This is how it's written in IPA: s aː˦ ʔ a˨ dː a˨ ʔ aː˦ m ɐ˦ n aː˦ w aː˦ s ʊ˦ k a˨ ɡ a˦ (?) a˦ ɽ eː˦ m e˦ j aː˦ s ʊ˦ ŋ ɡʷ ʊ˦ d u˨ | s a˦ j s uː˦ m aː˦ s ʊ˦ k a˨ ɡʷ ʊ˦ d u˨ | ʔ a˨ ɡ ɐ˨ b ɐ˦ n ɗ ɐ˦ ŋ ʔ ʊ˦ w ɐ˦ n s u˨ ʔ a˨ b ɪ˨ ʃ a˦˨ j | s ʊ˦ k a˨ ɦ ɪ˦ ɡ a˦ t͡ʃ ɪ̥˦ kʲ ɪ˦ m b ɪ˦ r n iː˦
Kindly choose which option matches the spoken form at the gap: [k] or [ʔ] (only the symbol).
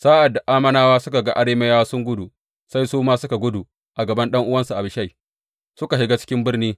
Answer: ʔ